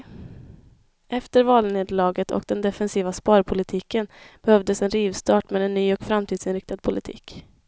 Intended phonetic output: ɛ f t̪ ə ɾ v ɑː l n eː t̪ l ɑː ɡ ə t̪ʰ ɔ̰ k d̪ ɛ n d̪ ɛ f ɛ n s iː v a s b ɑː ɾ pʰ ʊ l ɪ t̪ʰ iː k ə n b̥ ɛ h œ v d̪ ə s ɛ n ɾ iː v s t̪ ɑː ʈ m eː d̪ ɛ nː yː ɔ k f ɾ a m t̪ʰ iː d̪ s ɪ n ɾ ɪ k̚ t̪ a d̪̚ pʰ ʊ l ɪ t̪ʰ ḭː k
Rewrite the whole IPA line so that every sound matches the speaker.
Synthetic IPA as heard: ɛ f t̪ ə ɾ v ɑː l n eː d̪ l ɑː ɡ ə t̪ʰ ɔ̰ k d̪ ɛ n d̪ ɛ f ɛ n s iː v a s p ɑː ɾ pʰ ʊ l ɪ t̪ʰ iː k ə n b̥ ɛ h œ v d̪ ə s ɛ n ɾ iː v s t̪ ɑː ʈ m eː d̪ ɛ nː yː ɔ k f ɾ a m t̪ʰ iː d̪ s ɪ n ɾ ɪ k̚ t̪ a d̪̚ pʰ ʊ l ɪ t̪ʰ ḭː k